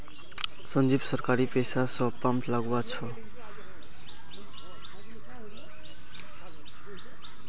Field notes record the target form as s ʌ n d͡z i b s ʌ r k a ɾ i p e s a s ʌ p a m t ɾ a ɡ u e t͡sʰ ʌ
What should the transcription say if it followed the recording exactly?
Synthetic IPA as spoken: s ʌ n d͡z i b s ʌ r k a ɾ i p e s a s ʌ p a m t l a ɡ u a t͡sʰ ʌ